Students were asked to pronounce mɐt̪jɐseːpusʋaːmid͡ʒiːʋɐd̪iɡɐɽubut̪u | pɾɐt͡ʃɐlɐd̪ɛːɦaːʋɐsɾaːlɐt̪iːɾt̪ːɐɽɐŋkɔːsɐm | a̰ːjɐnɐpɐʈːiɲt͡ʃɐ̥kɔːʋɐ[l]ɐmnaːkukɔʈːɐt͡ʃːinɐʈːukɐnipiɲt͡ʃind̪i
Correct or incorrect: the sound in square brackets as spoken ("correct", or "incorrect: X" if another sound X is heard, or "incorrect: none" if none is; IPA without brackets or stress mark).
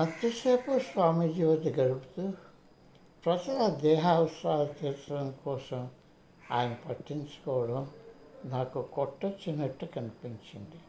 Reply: incorrect: ɽ